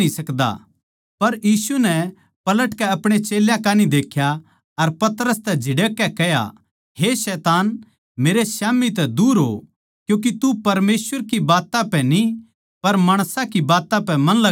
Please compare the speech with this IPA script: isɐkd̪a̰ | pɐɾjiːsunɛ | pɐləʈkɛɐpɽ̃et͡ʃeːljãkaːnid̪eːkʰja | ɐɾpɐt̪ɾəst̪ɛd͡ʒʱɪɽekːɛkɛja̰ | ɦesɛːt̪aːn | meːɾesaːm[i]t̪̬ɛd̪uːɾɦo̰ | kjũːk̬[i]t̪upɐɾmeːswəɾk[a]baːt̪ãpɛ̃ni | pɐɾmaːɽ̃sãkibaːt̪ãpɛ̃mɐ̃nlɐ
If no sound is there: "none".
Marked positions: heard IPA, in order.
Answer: i, i, i

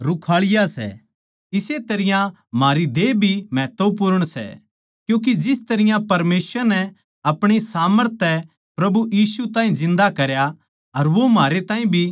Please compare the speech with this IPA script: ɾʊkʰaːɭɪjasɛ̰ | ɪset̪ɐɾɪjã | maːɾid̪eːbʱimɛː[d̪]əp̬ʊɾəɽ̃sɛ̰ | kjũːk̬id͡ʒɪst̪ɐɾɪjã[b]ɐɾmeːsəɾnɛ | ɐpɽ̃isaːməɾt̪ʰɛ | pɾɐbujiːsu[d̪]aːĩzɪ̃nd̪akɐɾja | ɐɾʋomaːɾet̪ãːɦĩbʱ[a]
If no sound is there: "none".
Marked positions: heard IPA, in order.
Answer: t̪, p, t̪, i

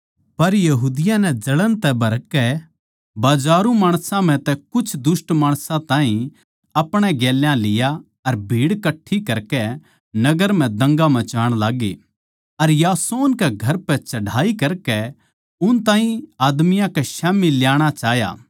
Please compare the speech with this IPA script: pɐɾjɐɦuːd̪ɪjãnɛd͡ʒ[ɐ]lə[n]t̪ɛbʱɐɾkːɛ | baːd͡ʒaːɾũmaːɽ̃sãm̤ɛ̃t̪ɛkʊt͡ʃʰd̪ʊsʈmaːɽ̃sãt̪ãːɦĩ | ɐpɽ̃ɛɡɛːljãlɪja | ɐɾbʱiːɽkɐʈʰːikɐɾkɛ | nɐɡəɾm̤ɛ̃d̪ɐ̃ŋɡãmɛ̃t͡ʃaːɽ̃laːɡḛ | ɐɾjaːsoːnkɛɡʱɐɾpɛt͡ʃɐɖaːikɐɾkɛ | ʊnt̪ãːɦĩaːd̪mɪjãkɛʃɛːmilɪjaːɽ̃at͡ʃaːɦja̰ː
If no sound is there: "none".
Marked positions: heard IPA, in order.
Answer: ɐ, n

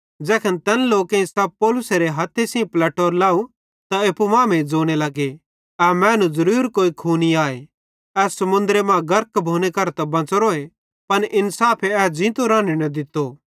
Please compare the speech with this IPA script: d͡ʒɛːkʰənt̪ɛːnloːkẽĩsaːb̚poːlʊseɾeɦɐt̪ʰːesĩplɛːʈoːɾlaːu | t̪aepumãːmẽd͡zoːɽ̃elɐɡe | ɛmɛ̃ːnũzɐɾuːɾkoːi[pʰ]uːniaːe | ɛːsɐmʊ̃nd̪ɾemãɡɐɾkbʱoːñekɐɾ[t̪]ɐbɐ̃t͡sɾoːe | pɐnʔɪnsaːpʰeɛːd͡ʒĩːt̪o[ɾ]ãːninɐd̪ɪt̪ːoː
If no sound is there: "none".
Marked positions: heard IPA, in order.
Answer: kʰ, t̪, ɾ

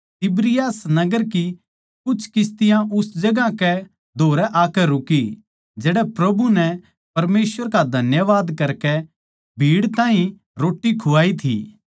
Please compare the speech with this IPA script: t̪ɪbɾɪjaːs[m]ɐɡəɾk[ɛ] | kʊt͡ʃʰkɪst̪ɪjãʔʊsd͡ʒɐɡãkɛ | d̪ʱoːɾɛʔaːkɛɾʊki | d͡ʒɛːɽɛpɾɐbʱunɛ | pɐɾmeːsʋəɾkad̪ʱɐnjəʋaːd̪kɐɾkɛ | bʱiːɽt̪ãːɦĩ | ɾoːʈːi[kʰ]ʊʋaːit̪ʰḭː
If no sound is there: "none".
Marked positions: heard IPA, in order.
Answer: n, i, kʰ

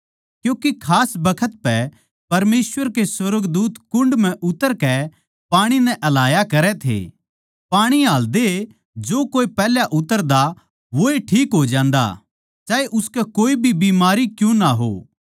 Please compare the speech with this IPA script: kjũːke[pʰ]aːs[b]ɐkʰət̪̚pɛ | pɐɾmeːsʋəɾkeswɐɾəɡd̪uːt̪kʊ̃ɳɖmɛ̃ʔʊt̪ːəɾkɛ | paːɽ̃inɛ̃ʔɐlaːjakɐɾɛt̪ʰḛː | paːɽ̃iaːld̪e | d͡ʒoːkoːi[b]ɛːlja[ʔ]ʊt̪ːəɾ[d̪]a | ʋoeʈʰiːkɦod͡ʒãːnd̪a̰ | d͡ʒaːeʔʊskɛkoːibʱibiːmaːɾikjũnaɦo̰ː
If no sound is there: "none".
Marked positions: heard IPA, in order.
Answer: kʰ, b, p, ʔ, d̪

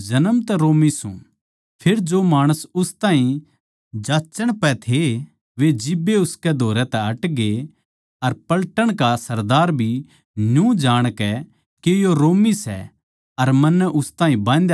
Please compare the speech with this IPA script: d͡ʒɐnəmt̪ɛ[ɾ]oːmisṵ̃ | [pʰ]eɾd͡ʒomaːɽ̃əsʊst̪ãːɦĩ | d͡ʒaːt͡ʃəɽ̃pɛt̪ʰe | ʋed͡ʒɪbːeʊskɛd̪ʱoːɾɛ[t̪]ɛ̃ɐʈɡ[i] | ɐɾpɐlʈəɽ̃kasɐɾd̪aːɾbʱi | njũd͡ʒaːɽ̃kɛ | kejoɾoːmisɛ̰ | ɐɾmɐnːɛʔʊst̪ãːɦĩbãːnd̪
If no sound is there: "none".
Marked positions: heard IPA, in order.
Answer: ɾ, pʰ, t̪, e

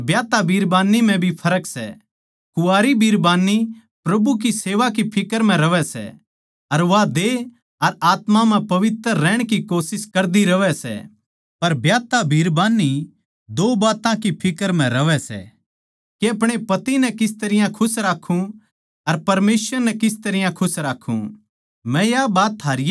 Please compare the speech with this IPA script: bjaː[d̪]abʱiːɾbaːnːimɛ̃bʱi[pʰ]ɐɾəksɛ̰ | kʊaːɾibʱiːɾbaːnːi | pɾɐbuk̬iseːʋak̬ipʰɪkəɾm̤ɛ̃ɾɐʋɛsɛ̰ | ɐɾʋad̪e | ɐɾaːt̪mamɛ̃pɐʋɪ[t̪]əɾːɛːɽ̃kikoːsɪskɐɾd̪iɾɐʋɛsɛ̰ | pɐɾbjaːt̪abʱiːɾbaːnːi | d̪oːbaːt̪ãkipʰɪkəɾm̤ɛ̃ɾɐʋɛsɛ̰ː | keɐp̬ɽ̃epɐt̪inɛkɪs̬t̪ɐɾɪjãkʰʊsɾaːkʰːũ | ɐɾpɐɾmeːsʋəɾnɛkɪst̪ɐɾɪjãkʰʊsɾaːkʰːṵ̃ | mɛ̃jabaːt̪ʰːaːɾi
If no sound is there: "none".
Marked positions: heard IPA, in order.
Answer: t̪, pʰ, t̪

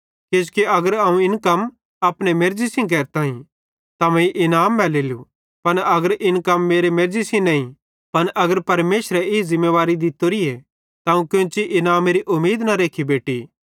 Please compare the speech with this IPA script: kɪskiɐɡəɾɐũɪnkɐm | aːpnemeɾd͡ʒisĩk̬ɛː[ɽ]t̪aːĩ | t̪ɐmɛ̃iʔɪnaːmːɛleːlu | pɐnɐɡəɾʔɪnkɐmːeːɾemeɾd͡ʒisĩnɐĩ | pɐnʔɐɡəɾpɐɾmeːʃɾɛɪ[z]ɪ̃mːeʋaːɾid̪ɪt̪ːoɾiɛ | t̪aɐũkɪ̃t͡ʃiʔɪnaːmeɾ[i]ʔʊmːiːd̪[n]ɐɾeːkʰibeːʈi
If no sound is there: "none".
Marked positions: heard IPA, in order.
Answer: ɾ, z, i, n

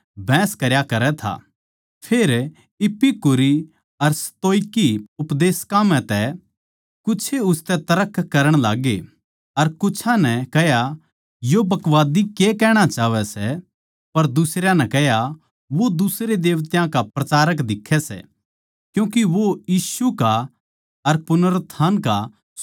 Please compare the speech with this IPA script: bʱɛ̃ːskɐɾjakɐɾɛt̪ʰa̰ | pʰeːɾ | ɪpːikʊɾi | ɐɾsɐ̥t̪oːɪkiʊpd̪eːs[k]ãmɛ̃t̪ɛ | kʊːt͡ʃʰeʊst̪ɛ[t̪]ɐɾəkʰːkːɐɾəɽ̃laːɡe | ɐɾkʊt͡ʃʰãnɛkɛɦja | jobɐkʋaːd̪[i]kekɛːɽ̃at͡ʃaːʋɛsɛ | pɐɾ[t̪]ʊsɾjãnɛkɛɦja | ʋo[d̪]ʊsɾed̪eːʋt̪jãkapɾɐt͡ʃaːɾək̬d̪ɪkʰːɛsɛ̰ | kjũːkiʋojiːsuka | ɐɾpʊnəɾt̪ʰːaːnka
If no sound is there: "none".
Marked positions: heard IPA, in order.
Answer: k, t̪, i, d̪, d̪

